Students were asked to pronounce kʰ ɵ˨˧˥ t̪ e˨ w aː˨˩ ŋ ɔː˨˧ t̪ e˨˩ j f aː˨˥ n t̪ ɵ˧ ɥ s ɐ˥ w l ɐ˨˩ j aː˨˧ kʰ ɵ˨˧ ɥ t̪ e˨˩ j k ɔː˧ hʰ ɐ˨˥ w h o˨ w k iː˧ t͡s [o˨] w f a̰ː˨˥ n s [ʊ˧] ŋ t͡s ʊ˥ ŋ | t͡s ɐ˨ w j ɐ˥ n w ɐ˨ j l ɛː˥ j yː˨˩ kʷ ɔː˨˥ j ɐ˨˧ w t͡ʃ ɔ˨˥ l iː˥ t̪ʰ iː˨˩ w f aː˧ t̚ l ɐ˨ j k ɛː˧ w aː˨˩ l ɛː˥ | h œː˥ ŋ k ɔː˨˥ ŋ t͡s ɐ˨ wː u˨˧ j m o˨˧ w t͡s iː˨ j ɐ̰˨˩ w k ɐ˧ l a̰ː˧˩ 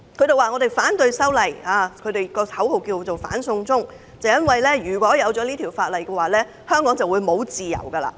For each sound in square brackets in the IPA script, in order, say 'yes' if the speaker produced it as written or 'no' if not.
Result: yes, yes

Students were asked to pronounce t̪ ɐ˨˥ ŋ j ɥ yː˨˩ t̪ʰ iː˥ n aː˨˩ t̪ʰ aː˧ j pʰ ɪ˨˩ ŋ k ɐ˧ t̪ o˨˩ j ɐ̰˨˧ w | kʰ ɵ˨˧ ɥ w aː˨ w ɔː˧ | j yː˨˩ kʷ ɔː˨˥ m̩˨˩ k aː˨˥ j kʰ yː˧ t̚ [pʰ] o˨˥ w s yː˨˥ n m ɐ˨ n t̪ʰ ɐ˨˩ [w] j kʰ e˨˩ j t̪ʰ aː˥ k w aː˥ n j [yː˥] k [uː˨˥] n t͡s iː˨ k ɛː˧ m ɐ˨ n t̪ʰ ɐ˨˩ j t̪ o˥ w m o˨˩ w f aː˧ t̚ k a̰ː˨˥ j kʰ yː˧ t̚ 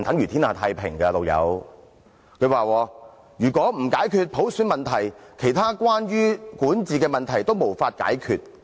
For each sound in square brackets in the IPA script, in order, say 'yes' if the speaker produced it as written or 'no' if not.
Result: yes, no, yes, yes

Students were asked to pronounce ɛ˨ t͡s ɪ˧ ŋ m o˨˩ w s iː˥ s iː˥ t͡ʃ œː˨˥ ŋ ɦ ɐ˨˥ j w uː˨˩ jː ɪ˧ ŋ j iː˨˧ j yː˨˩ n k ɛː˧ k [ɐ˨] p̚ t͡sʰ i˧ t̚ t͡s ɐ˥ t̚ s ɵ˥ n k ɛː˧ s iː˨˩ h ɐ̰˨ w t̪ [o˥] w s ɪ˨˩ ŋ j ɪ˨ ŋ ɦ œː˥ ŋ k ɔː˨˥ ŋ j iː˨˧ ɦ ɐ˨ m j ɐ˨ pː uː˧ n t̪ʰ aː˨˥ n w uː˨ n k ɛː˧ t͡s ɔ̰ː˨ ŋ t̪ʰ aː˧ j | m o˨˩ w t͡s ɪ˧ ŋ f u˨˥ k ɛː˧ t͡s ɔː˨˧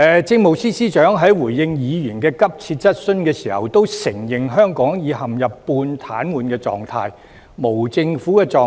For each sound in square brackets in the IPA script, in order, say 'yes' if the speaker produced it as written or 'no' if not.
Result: no, yes

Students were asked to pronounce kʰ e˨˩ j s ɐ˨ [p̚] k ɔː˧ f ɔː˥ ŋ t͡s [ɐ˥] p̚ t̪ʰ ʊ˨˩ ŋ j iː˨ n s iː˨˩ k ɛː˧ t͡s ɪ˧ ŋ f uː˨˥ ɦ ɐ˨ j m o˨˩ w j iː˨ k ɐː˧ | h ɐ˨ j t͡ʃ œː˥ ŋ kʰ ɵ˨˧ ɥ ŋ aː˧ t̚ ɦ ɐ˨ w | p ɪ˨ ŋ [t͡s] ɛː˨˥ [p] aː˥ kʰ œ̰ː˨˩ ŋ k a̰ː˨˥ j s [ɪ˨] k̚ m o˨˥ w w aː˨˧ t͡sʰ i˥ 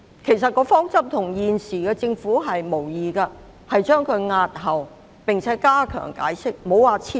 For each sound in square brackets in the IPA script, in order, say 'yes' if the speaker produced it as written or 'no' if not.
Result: no, yes, no, no, no

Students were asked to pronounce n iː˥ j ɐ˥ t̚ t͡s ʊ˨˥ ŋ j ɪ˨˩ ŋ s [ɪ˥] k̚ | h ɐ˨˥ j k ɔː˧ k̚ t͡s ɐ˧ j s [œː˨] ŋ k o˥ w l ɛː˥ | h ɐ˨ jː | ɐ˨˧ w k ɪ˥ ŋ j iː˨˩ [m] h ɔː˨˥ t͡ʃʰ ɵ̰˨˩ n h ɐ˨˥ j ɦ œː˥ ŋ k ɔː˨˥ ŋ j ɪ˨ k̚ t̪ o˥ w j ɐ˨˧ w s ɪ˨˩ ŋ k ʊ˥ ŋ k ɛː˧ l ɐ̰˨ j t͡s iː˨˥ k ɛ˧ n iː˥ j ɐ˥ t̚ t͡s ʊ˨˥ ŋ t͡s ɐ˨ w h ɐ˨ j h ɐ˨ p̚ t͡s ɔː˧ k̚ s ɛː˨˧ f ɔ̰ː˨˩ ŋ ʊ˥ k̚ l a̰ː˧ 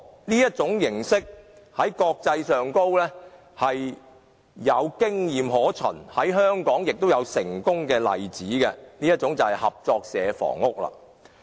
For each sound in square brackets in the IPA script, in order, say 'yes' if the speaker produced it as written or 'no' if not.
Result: yes, yes, yes

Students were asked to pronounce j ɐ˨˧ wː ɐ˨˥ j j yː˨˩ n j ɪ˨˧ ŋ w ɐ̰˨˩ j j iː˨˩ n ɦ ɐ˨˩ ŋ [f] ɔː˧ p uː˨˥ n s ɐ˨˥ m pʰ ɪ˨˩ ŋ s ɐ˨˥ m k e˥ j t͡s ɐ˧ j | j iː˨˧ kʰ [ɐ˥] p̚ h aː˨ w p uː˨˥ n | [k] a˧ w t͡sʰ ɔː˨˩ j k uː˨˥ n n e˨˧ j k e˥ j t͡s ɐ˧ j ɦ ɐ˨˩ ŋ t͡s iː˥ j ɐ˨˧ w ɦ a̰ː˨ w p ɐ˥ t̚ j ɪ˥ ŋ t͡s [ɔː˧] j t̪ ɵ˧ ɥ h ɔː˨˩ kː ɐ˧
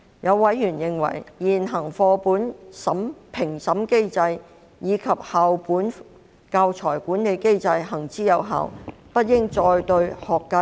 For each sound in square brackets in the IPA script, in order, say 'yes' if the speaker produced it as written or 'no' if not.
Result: yes, no, yes, yes

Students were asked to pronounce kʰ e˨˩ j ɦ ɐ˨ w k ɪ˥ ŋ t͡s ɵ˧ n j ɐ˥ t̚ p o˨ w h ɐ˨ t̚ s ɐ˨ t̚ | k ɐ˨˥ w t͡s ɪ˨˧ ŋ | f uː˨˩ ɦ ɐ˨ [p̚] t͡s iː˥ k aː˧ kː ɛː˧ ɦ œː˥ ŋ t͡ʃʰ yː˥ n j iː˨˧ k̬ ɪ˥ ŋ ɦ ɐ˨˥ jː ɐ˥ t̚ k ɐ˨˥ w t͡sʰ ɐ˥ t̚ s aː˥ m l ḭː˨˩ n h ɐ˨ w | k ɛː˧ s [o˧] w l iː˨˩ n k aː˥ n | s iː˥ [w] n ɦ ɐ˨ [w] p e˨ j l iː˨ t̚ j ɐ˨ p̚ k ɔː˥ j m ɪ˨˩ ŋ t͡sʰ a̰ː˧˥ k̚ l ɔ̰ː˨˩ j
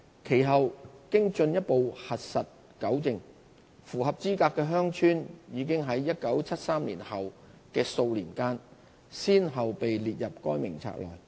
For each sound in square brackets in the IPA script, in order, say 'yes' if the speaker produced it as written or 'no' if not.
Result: yes, yes, no, yes

